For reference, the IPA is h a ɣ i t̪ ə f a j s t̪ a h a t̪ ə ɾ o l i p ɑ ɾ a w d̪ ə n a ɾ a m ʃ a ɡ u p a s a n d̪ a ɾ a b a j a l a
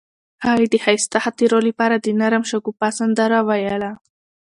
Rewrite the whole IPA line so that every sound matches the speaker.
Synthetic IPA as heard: h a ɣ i d̪ ə h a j s t̪ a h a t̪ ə ɾ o l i p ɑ ɾ a d̪ ə n a ɾ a m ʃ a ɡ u p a s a n d̪ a ɾ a w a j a l a